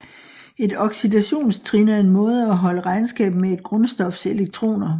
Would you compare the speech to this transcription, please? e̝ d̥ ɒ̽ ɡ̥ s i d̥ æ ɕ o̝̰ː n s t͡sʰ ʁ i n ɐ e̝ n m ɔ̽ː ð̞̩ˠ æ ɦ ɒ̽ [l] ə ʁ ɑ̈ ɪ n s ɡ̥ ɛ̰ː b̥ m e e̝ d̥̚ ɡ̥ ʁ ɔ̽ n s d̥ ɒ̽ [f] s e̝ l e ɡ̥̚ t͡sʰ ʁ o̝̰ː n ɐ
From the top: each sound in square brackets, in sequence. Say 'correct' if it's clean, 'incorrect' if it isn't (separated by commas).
correct, correct